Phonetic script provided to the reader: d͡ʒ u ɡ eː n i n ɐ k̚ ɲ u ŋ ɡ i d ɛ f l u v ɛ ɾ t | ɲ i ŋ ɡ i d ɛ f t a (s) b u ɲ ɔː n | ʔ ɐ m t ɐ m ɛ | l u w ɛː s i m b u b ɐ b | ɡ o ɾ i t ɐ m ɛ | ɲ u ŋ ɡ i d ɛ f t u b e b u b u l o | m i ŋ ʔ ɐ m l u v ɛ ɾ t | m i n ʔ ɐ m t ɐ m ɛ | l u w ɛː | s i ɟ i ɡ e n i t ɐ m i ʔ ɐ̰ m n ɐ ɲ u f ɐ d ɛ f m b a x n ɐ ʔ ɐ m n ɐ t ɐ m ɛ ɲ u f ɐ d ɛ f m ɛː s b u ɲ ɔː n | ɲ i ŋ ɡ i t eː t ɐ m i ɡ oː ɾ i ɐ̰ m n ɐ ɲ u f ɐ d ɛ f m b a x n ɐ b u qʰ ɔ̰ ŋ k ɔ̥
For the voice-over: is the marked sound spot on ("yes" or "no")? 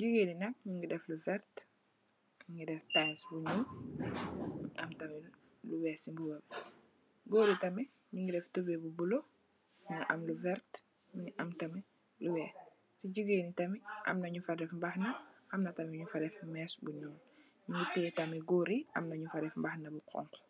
yes